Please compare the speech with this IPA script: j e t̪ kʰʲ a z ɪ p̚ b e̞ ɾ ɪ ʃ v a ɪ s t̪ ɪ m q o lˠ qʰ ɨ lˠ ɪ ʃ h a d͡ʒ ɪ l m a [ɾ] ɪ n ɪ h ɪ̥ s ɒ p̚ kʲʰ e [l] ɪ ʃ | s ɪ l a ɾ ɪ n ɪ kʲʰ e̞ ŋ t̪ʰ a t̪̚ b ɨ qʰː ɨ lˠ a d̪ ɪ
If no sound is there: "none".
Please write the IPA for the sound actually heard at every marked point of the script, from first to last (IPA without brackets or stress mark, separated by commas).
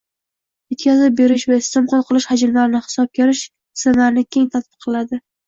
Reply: ɾ, ɾ